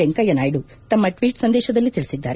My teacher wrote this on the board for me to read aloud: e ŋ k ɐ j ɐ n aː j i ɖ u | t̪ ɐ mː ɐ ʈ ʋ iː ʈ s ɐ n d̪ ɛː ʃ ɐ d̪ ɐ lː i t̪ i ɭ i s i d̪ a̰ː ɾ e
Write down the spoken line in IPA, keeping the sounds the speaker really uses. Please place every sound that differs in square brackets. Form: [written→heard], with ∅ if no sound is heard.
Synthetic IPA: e ŋ k ɐ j ɐ n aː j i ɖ u | t̪ ɐ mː ɐ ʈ ʋ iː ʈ s ɐ n d̪ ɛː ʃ ɐ d̪ ɐ lː i t̪ i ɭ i s i [d̪→d̪ː] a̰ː ɾ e